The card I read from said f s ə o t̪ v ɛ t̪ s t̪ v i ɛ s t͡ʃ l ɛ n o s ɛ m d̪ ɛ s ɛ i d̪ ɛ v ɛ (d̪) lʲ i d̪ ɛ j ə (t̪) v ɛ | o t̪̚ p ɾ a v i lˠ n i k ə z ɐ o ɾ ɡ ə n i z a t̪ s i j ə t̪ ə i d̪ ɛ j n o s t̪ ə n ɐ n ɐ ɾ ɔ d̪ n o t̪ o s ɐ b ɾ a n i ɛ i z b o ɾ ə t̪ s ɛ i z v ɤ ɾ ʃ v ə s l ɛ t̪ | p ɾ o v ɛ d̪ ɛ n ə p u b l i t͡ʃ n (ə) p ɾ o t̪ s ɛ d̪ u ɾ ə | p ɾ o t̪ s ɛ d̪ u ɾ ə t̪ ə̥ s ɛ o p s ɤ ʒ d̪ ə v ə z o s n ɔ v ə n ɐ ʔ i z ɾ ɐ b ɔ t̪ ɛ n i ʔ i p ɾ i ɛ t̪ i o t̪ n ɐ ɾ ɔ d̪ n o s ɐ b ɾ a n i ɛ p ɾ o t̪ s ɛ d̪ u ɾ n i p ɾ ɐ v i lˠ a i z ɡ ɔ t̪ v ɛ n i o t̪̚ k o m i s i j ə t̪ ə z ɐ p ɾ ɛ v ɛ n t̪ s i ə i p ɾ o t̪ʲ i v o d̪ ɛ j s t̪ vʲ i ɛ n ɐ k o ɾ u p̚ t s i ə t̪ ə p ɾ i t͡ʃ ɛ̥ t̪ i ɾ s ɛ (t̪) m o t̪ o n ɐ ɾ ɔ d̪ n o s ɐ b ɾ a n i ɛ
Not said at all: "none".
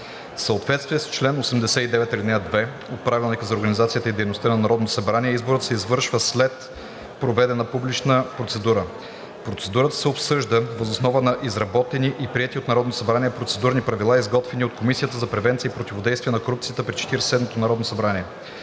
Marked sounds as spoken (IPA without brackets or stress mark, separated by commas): t̪, d̪, ə, d̪